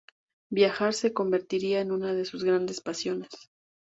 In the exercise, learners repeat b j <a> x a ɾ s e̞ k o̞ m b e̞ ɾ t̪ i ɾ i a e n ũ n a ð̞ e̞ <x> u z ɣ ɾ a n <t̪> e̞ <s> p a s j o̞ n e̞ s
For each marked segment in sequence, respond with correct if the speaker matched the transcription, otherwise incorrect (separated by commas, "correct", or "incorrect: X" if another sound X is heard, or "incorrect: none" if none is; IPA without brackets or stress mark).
correct, incorrect: s, incorrect: d̪, correct